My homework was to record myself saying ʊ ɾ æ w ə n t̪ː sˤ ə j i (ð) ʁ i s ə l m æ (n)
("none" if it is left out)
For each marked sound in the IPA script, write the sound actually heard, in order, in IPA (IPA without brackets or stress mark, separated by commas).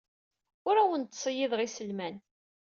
ð, n